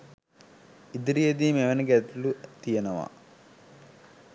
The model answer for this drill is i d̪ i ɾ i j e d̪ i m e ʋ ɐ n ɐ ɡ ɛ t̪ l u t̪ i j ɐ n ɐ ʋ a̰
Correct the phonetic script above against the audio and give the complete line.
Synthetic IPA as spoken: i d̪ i ɾ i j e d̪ i m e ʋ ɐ n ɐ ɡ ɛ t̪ l u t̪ i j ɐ n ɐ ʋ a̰